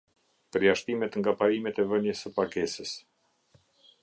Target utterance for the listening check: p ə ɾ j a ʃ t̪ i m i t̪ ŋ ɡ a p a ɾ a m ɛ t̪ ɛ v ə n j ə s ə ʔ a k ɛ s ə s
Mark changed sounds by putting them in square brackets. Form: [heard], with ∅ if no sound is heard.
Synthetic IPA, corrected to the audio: p ə ɾ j a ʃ t̪ i m [ɛ] t̪ ŋ ɡ a p a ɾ [i] m ɛ t̪ ɛ v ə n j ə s ə [p] a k ɛ s ə s